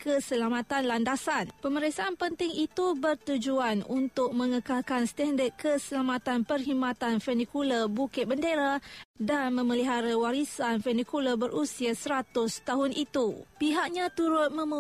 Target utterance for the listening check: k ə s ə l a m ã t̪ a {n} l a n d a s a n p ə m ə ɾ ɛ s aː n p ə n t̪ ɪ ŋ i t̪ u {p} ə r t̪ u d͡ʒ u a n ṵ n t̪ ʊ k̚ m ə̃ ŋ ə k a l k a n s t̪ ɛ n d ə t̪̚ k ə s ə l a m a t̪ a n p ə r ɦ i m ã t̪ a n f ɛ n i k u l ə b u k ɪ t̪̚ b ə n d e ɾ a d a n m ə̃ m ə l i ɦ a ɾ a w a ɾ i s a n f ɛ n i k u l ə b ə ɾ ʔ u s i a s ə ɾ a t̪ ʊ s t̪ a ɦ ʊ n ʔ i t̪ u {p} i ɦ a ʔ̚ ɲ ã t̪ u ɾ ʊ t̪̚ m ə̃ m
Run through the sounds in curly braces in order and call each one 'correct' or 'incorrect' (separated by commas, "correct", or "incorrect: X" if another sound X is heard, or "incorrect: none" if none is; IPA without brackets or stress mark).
correct, incorrect: b, correct